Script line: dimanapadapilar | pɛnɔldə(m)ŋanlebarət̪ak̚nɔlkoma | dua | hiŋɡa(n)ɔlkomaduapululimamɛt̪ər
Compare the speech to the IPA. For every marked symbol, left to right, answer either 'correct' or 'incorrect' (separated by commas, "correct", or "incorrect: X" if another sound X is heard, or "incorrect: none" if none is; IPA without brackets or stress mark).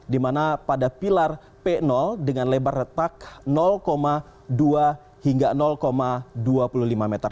incorrect: none, correct